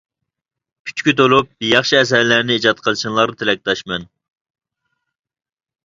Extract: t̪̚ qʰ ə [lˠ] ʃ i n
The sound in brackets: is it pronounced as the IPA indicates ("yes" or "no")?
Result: yes